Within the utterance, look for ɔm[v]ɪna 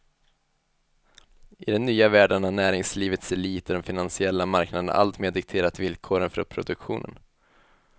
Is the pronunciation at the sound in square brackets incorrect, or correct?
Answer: incorrect